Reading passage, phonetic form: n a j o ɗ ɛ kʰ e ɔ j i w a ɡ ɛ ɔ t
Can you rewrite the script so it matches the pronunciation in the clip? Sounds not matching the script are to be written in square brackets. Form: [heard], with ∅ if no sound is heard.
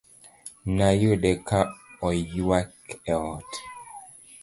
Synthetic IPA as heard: n a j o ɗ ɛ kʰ [a] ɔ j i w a [k] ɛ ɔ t